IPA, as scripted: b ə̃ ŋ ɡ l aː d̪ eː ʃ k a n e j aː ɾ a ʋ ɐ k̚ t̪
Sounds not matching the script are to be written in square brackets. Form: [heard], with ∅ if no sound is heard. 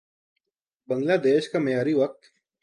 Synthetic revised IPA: b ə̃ ŋ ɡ l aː d̪ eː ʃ k a [m] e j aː ɾ [i] ʋ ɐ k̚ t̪